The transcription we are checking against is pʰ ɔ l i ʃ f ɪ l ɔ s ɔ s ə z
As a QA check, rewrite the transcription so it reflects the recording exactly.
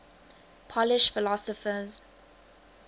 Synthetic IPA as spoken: pʰ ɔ l ɪ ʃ f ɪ l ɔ s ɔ f ə z